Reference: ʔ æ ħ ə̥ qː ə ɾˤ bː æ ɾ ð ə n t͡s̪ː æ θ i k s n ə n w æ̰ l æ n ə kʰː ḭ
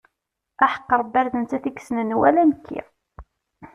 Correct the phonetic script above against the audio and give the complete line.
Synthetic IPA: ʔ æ ħ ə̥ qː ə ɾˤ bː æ ɾ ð ə n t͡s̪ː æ θ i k s n ə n w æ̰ l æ n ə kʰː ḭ

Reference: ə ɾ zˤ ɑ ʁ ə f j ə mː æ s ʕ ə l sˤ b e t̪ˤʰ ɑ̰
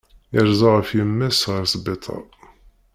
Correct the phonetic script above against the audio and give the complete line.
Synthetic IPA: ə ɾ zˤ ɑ ʁ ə f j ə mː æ s ʁ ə ɾ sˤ b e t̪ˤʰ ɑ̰

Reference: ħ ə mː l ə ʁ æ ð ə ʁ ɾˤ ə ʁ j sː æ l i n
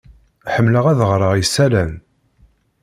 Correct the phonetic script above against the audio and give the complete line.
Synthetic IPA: ħ ə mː l ə ʁ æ ð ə ʁ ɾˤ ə ʁ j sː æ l æ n

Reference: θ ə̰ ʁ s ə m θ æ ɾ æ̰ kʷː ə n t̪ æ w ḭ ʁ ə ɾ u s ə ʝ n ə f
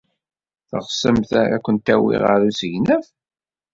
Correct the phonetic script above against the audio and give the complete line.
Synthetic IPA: θ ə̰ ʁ s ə m θ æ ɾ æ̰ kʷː ə n t̪ æ w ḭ ʁ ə ɾ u s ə ʝ n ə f

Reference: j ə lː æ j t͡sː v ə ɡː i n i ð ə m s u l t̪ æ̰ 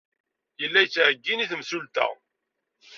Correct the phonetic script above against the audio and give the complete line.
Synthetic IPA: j ə lː æ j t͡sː ʕ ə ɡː i n i θ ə m s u l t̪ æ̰

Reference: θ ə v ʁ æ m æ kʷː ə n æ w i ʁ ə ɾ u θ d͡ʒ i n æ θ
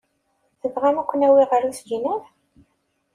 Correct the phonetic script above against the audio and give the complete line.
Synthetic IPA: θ ə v ʁ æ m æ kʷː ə n æ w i ʁ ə ɾ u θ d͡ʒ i n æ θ

